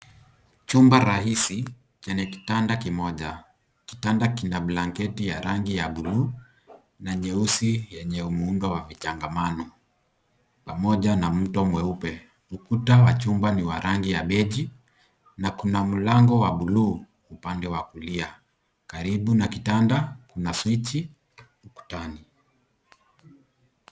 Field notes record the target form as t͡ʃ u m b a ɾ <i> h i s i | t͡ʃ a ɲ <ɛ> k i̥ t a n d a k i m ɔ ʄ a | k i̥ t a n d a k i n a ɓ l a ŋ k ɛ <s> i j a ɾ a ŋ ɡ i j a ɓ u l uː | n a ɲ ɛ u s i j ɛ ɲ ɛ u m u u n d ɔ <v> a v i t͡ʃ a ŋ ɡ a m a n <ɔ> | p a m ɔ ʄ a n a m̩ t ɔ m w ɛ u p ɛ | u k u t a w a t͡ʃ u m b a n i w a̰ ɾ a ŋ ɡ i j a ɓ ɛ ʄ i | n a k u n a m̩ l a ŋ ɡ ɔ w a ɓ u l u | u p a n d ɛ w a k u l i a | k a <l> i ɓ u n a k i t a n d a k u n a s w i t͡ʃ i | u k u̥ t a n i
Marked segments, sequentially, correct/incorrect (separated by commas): incorrect, correct, incorrect, incorrect, correct, incorrect